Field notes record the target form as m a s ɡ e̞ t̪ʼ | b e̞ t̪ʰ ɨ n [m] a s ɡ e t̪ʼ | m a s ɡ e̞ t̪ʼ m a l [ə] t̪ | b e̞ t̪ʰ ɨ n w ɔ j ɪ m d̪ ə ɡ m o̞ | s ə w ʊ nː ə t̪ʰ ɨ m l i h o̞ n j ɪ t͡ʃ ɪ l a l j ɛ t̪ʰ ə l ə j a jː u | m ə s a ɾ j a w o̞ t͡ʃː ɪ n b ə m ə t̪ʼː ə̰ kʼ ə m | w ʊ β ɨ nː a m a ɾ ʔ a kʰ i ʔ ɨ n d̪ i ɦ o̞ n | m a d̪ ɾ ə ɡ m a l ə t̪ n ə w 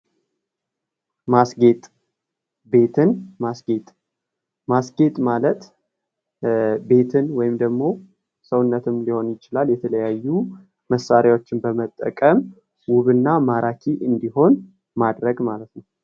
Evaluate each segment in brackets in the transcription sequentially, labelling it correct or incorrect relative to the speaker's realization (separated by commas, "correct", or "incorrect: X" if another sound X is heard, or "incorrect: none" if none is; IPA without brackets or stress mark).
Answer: correct, correct